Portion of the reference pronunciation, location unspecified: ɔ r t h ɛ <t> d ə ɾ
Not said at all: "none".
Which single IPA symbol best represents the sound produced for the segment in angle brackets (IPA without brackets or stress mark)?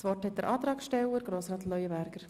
t